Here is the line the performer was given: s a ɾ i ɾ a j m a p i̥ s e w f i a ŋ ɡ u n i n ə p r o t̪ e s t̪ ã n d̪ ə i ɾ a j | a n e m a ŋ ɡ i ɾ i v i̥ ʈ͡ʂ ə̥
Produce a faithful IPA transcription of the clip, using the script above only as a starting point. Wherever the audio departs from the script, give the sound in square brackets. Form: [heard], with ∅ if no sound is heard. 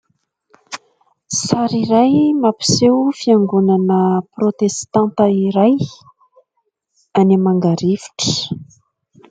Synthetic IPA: s a ɾ i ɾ a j m a p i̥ s e w f i a ŋ ɡ u n [a] n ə p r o t̪ e s t̪ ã n [t̪] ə i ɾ a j | a n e m a ŋ ɡ [a] ɾ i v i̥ ʈ͡ʂ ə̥

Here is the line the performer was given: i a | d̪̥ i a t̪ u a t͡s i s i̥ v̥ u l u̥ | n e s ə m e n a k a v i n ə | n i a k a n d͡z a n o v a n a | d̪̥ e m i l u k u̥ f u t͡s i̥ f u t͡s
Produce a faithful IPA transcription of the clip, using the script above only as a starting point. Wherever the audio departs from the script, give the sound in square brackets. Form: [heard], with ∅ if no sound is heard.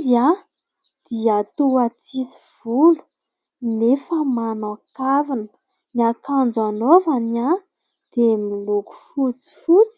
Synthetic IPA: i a | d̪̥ i a t̪ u a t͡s i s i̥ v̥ u l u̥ | n e [f] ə m [a] n a k a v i n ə | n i a k a n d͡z a n o v a n a | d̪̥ e m i l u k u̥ f u t͡s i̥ f u t͡s

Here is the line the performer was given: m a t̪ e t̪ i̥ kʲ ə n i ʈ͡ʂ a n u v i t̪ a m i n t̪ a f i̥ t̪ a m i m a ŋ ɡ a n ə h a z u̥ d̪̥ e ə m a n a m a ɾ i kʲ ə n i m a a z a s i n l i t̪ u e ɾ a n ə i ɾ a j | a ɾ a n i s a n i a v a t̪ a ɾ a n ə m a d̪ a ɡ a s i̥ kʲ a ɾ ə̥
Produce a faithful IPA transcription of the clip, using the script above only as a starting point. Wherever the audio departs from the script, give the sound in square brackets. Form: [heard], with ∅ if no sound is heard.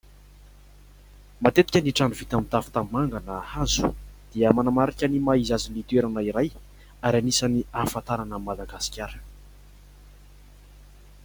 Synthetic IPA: m a t̪ e t̪ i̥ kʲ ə n i ʈ͡ʂ a n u v i t̪ a m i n t̪ a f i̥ t̪ a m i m a ŋ ɡ a n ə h a z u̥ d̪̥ [i] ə m a n a m a ɾ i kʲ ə n i m a [i] z a [z] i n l i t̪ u e ɾ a n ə i ɾ a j | a ɾ a n i s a n i a [f] a t̪ a ɾ a n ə m a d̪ a ɡ a s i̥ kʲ a ɾ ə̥

